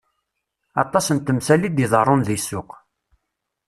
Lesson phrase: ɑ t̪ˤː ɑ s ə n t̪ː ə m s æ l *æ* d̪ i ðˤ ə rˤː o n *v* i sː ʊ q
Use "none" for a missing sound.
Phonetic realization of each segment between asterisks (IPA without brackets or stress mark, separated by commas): i, ð